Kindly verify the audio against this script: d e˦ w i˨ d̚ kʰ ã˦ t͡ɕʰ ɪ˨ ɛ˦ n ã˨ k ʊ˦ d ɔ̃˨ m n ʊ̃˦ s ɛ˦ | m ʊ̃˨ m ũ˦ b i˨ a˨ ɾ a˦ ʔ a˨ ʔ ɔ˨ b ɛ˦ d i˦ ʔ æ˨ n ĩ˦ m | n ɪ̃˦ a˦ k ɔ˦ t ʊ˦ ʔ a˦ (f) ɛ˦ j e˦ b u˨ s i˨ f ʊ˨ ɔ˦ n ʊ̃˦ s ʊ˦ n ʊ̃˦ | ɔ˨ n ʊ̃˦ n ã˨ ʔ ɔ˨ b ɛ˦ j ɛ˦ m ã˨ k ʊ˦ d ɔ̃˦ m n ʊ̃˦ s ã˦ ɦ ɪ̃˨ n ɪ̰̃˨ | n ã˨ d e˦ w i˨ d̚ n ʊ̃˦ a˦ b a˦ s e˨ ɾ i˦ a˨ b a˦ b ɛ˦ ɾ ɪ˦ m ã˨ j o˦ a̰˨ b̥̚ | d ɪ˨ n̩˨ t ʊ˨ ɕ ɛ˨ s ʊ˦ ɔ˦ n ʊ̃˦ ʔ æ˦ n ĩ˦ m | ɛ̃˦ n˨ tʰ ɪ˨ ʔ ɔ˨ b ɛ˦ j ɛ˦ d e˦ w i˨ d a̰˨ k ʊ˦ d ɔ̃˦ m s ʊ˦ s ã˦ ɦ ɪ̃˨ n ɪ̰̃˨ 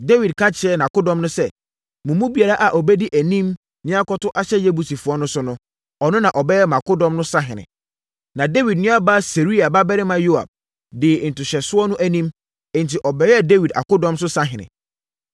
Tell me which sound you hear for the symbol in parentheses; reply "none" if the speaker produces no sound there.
ɕ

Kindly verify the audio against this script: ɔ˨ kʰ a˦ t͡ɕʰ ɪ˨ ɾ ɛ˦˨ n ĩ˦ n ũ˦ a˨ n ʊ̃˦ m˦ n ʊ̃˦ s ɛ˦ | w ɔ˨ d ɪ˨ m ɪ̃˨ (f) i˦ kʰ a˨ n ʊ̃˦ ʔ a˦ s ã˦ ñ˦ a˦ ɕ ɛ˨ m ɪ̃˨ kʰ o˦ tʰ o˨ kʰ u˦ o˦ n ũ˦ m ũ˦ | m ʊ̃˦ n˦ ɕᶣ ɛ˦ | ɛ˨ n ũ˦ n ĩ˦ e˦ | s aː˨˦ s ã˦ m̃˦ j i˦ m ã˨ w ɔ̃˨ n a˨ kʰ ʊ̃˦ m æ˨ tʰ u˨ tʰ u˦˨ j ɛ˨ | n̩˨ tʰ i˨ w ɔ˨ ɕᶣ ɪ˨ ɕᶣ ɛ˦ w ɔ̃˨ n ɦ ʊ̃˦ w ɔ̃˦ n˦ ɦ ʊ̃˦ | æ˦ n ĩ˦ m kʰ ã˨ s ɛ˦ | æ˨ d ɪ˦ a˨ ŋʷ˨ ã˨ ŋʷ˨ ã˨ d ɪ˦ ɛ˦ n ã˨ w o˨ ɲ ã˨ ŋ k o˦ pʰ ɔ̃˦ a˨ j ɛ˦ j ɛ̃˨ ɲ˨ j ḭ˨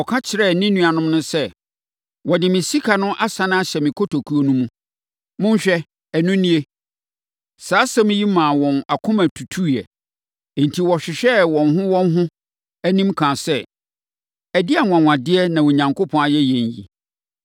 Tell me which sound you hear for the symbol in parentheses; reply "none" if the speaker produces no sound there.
s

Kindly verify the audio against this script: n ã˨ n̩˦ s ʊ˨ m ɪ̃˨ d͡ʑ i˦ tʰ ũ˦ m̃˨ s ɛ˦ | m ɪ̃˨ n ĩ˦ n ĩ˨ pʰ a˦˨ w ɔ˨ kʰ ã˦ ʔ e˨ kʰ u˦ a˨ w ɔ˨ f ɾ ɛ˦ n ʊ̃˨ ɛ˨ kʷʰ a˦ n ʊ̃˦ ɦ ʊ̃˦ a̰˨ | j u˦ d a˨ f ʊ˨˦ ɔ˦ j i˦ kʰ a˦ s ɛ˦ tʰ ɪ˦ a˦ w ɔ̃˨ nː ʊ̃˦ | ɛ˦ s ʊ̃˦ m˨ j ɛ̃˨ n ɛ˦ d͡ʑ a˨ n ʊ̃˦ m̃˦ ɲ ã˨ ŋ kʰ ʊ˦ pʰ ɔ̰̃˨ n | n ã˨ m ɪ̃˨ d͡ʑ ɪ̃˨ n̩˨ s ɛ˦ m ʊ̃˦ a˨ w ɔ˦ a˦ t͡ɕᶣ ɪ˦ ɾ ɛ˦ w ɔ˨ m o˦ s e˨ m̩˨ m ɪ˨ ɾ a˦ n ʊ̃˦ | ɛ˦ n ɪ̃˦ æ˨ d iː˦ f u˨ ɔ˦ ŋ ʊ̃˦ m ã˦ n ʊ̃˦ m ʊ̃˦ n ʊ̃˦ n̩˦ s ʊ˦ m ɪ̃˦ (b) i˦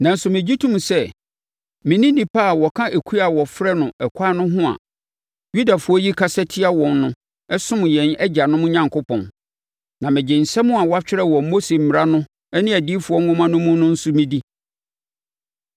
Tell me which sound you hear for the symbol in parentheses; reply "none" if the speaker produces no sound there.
d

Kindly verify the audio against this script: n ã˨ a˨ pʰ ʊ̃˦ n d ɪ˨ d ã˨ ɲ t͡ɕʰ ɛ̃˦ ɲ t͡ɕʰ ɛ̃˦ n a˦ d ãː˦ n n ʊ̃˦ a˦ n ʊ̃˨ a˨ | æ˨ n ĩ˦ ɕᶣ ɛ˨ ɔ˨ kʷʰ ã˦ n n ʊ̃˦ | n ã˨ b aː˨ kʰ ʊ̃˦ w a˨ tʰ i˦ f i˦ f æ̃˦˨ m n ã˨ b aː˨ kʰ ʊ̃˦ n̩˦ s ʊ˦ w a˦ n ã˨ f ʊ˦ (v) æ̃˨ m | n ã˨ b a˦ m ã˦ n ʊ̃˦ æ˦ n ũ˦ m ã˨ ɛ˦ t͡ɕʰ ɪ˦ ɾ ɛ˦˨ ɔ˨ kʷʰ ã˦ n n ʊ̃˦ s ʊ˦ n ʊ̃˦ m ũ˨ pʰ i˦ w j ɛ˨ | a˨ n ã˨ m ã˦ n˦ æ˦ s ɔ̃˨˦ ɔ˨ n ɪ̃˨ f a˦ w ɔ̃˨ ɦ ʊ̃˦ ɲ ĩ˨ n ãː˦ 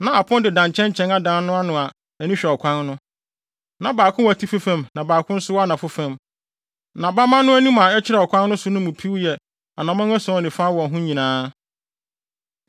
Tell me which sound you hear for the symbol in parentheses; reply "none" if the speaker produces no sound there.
f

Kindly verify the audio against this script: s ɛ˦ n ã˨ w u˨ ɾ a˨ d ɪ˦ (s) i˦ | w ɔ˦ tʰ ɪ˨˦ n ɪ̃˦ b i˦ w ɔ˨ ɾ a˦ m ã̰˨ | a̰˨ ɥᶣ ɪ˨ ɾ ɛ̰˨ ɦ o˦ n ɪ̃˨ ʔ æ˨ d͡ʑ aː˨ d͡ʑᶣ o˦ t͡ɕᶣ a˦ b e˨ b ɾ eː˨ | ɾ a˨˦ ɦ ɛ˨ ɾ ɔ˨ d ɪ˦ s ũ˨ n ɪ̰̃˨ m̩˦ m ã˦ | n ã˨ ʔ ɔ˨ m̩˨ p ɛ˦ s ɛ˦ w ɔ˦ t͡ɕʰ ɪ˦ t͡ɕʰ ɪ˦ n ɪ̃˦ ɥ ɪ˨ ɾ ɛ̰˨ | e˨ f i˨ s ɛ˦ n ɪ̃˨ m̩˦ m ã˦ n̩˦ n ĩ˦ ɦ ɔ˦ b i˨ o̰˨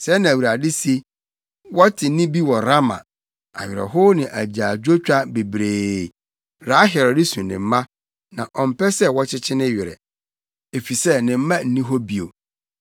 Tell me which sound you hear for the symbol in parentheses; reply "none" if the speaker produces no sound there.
s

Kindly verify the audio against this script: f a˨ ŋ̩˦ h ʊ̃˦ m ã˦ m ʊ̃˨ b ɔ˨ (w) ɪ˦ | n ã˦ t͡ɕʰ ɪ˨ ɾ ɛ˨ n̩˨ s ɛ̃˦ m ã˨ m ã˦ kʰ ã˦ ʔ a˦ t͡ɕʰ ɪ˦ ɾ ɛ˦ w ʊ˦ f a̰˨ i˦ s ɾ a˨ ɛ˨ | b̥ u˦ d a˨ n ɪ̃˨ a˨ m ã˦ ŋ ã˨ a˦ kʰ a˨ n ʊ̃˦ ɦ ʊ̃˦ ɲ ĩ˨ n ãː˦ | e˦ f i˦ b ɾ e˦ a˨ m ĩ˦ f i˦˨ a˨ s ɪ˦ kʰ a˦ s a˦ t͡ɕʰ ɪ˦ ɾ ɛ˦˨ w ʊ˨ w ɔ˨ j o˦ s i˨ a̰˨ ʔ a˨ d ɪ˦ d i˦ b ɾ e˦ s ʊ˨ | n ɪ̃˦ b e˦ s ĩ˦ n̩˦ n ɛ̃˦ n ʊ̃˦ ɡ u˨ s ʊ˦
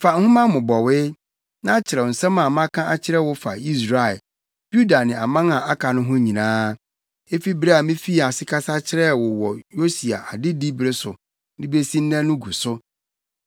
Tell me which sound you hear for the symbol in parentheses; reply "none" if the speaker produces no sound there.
w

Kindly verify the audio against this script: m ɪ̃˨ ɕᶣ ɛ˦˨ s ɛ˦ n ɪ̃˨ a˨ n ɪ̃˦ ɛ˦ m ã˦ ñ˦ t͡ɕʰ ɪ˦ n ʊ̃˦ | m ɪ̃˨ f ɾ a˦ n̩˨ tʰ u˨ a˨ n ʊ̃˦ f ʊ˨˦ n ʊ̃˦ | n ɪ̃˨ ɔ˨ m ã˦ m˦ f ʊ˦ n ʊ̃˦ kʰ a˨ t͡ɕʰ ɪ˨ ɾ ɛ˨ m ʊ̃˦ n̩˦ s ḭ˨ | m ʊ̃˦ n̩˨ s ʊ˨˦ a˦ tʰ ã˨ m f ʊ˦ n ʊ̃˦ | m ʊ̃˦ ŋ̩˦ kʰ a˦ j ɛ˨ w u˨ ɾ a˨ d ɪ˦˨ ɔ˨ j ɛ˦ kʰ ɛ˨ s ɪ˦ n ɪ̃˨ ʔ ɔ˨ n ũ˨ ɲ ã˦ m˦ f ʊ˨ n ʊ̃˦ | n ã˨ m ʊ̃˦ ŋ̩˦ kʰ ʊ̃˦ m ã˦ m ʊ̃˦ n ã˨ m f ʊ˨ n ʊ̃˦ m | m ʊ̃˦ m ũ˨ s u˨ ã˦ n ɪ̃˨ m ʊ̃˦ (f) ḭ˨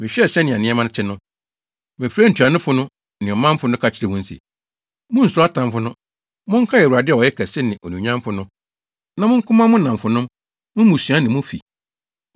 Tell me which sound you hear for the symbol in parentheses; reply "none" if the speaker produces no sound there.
f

